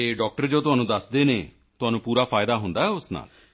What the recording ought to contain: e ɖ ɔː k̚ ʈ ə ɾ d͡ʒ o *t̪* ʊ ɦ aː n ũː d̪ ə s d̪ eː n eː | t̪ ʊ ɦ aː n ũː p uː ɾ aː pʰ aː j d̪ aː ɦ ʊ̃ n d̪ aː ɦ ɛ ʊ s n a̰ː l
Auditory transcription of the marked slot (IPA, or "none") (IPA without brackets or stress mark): t̪